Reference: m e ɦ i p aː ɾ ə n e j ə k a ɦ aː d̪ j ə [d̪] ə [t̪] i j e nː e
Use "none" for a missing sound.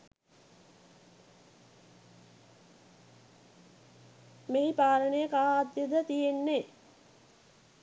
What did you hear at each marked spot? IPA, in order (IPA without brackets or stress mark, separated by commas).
d̪, t̪